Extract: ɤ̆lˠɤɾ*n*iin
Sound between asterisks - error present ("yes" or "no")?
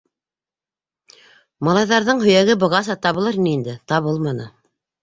no